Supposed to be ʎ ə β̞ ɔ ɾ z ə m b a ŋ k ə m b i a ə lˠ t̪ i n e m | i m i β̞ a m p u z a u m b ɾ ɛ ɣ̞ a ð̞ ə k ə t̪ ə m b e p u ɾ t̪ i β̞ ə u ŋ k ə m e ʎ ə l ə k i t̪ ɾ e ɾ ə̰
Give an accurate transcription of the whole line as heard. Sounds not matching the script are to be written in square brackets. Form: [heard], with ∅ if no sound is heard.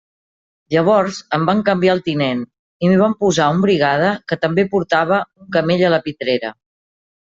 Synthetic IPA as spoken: ʎ ə β̞ ɔ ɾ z ə m b a ŋ k ə m b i a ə lˠ t̪ i n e [n] | i m i β̞ a m p u z a u m b ɾ [i] ɣ̞ a ð̞ ə k ə t̪ ə m b e p u ɾ t̪ [a] β̞ ə u ŋ k ə m e ʎ ə l ə [p] i t̪ ɾ e ɾ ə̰